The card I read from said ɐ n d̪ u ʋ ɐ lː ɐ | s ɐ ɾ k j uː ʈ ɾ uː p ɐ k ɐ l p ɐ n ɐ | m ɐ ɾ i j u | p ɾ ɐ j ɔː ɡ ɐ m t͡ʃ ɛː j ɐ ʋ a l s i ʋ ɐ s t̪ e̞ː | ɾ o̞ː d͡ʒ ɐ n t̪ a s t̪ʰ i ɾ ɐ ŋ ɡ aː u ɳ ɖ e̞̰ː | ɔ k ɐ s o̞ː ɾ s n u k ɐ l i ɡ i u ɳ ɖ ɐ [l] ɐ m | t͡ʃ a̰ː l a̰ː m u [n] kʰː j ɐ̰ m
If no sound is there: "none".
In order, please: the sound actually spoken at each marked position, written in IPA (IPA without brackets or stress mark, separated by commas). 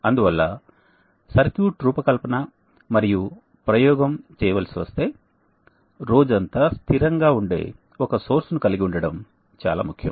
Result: ɽ, none